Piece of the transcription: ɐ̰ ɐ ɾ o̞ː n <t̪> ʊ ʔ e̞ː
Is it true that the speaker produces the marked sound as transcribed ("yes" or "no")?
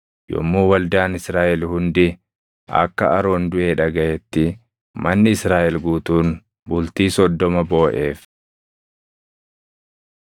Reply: no